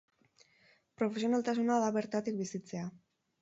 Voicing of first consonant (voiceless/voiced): voiceless